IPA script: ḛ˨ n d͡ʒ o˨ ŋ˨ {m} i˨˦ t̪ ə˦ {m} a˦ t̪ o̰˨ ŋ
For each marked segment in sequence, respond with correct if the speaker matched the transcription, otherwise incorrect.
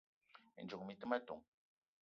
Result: correct, correct

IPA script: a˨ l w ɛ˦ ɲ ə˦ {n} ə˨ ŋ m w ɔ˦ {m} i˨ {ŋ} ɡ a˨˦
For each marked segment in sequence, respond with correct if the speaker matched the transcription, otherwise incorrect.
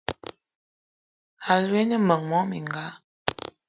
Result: incorrect, correct, correct

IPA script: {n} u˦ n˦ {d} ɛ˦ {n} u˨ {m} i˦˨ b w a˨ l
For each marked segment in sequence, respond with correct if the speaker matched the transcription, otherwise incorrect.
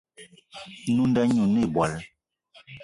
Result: correct, correct, incorrect, incorrect

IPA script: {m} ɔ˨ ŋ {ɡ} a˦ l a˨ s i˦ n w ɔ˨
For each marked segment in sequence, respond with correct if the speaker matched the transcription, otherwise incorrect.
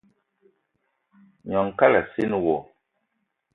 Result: incorrect, incorrect

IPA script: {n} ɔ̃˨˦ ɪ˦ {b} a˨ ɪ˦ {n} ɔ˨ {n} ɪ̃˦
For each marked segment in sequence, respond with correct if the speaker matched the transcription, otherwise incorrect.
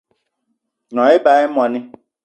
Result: correct, correct, incorrect, correct

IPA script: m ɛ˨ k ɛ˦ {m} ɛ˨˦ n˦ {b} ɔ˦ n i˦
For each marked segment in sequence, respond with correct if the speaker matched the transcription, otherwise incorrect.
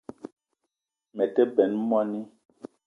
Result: incorrect, incorrect

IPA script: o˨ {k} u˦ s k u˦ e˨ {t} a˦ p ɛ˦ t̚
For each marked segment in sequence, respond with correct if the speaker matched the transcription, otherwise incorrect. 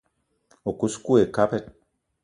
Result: correct, incorrect

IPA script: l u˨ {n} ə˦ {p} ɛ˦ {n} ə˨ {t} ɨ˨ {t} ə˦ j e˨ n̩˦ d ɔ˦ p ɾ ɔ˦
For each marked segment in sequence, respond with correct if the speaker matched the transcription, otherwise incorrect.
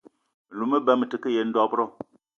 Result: incorrect, incorrect, incorrect, correct, incorrect

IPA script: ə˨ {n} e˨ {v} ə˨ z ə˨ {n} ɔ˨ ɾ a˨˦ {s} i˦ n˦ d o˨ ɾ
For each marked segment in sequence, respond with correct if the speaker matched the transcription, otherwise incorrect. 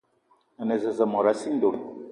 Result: correct, incorrect, incorrect, correct

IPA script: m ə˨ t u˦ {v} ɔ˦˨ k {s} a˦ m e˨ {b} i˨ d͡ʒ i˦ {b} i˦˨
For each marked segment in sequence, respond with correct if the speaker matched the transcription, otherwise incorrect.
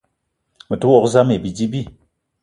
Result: incorrect, incorrect, correct, correct

